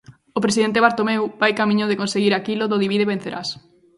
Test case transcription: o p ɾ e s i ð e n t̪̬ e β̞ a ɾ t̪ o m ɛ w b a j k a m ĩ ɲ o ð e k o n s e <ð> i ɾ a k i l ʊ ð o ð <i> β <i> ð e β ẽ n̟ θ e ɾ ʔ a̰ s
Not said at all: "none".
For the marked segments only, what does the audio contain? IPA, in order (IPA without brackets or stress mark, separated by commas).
ɣ, i, i